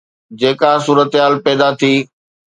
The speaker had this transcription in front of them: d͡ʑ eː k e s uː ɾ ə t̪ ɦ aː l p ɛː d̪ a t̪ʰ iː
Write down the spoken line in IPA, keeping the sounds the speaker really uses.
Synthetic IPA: d͡ʑ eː k a s uː ɾ ə t̪ ɦ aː l p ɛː d̪ a t̪ʰ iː